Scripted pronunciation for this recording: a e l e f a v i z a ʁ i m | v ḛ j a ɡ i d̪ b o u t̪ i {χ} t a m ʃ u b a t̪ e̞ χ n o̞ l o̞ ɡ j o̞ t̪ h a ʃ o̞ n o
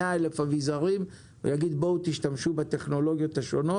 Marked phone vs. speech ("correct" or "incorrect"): incorrect